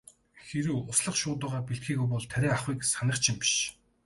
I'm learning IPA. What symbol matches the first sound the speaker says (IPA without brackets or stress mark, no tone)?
x